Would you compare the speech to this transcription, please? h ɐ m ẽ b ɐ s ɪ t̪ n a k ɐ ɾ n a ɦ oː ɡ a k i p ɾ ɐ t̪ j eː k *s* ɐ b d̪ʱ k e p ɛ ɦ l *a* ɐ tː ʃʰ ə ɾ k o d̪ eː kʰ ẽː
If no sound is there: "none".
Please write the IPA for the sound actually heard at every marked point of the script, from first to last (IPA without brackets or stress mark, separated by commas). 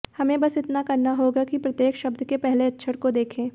ʃ, e